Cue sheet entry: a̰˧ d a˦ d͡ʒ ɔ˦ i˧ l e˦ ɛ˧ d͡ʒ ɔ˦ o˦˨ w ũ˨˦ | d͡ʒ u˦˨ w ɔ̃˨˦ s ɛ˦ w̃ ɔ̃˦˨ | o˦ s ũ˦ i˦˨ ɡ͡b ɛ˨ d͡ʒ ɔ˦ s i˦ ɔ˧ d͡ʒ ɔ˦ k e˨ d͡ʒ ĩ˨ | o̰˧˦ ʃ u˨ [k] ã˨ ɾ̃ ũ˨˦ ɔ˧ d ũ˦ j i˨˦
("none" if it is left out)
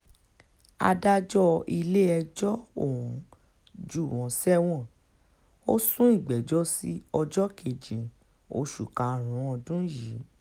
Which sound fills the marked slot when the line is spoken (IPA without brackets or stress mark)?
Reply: k